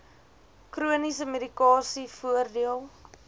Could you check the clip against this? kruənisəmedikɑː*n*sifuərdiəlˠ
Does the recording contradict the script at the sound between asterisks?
yes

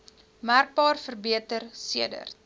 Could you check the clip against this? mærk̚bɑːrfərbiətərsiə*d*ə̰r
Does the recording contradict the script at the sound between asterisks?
no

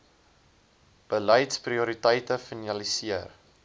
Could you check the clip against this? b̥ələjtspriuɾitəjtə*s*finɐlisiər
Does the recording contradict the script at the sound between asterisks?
yes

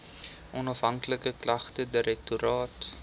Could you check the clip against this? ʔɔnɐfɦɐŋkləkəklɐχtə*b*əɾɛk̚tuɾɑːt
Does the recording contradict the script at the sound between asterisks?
yes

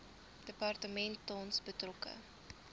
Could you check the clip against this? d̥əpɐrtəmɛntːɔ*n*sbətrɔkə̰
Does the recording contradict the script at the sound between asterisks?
no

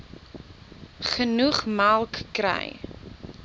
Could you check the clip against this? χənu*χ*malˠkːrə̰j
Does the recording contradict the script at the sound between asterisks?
no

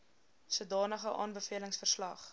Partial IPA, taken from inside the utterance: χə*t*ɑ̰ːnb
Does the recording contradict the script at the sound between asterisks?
yes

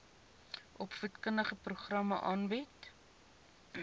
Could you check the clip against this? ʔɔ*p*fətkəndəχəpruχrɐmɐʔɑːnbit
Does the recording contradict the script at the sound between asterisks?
no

